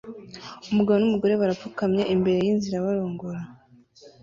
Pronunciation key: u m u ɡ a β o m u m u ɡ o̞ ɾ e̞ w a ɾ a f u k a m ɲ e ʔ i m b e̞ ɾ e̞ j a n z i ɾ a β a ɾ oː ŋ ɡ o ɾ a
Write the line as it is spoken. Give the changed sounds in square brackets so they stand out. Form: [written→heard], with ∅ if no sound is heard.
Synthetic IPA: u m u ɡ a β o [m→n] u m u ɡ o̞ ɾ e̞ [w→β] a ɾ a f u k a m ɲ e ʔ i m b e̞ ɾ e̞ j [a→i] n z i ɾ a β a ɾ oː ŋ ɡ o ɾ a